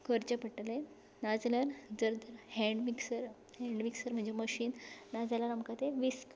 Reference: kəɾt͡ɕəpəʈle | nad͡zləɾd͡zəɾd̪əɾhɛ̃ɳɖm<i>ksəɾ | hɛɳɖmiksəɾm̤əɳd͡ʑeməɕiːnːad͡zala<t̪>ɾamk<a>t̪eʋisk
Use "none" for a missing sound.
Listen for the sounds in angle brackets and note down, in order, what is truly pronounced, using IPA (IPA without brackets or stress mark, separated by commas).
i, none, a